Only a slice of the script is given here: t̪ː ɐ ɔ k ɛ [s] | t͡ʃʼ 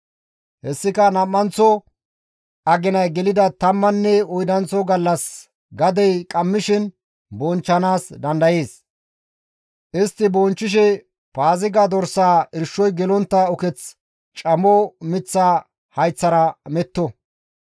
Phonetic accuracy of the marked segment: incorrect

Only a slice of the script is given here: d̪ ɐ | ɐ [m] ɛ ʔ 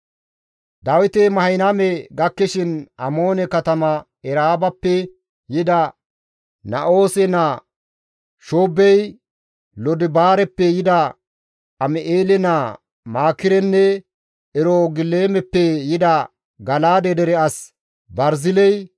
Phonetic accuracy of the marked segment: correct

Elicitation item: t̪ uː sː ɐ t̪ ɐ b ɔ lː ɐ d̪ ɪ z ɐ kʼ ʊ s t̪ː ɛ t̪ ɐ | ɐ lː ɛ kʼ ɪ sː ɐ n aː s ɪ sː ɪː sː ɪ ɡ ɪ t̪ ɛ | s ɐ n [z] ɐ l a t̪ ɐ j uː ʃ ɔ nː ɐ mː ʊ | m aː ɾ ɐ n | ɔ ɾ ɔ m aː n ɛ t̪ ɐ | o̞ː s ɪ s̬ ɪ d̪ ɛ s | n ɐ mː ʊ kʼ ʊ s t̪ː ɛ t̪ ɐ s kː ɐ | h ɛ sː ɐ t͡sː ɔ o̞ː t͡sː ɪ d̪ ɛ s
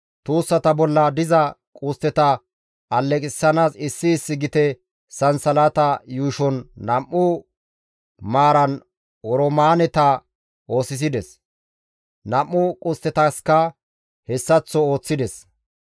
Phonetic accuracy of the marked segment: incorrect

